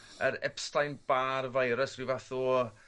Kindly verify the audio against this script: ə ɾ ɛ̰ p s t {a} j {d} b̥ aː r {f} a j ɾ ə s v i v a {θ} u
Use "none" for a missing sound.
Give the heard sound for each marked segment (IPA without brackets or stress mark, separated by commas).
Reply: a, n, v, θ